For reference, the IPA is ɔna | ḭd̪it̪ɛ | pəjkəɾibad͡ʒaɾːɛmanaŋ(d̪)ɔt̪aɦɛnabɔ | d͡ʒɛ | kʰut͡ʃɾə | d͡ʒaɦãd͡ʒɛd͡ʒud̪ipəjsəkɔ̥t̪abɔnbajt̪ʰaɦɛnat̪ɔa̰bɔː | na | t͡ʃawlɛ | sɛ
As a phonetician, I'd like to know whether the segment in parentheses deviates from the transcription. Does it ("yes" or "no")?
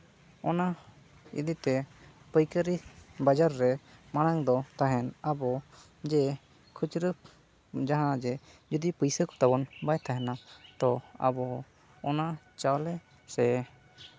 no